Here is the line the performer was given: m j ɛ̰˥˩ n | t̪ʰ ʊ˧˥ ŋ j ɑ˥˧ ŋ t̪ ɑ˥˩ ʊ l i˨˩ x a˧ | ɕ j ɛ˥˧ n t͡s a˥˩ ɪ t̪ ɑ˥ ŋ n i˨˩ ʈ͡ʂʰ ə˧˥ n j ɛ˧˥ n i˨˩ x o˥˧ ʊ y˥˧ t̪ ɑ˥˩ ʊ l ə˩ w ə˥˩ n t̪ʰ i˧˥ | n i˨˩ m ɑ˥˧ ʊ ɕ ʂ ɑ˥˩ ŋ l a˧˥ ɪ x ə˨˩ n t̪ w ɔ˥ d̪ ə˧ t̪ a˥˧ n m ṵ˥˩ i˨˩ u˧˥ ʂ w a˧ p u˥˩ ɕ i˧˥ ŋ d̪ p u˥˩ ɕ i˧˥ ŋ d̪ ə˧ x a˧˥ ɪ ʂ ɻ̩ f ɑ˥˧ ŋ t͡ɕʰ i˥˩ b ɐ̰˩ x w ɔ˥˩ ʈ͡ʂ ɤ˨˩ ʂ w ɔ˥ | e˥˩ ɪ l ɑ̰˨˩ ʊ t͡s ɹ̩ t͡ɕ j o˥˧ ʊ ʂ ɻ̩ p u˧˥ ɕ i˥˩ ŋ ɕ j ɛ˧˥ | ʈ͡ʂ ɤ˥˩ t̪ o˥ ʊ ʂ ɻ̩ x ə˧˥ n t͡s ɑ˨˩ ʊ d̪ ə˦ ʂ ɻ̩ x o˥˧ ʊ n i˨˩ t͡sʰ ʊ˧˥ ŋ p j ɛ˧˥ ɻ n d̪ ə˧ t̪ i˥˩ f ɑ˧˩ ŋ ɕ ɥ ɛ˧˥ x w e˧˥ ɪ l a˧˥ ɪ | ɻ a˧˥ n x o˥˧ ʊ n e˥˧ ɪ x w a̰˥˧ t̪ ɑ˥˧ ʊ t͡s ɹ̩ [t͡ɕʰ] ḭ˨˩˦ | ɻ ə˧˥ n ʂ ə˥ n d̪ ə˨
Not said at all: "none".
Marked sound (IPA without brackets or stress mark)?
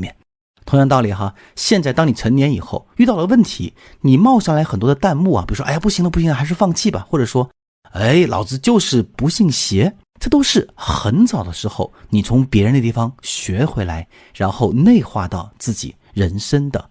t͡ɕ